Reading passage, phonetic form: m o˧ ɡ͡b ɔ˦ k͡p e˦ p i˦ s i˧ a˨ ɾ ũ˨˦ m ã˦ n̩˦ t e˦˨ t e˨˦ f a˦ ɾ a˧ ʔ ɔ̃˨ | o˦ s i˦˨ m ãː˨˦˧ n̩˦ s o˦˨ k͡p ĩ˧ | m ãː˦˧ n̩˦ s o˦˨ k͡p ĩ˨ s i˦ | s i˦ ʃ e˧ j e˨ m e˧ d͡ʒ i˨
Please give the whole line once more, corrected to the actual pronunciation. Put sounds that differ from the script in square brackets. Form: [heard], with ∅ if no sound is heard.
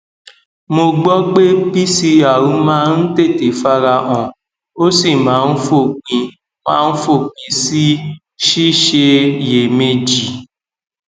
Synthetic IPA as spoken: m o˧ ɡ͡b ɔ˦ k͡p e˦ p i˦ s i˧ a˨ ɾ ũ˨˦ m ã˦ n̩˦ t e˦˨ t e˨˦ f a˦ ɾ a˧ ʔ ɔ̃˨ | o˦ s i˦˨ m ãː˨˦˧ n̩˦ [f] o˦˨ k͡p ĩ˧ | m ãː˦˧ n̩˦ [f] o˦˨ k͡p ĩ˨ s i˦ | [ʃ] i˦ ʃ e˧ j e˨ m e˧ d͡ʒ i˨